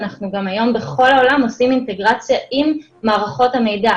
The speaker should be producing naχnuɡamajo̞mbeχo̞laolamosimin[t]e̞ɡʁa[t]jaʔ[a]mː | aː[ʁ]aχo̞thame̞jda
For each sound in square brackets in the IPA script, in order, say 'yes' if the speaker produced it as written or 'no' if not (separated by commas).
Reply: yes, no, no, yes